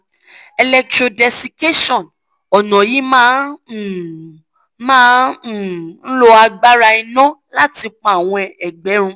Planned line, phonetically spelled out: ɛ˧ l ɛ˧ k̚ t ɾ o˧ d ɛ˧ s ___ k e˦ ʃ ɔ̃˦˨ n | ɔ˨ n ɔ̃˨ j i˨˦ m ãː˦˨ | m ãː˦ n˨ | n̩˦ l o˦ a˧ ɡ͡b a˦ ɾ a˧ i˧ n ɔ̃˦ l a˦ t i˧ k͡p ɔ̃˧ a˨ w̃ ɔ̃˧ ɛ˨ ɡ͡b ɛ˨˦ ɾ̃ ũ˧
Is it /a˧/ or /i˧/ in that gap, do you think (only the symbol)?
i˧